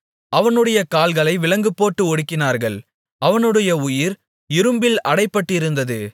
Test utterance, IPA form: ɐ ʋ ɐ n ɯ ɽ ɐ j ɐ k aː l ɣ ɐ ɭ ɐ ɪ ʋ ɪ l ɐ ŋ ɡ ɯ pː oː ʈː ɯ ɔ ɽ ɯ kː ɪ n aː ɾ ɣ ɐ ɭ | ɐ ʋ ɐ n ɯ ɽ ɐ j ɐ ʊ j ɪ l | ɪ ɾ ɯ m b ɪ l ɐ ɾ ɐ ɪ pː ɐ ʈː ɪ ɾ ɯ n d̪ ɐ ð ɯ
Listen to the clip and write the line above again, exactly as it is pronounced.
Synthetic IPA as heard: ɐ ʋ ɐ n ɯ ɽ ɐ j ɐ k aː l ɣ ɐ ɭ ɐ ɪ ʋ ɪ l ɐ ŋ ɡ ɯ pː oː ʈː ɯ ɔ ɽ ɯ kː ɪ n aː ɾ ɣ ɐ ɭ | ɐ ʋ ɐ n ɯ ɽ ɐ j ɐ ʊ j ɪ ɾ | ɪ ɾ ɯ m b ɪ l ɐ ɽ ɐ ɪ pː ɐ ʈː ɪ ɾ ɯ n d̪ ɐ ð ɯ